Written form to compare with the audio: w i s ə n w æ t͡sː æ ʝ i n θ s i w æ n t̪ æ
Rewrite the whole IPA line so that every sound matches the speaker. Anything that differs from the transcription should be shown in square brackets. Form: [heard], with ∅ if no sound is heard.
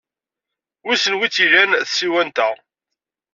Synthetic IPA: w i s ə n w [i] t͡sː [i] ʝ [æ] n θ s i w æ n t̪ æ